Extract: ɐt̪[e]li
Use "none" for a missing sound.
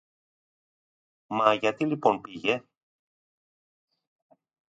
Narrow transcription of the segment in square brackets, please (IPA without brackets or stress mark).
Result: i